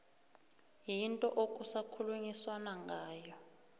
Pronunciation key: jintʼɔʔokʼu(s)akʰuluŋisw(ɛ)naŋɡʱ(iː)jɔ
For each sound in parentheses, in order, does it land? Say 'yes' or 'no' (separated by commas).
yes, no, no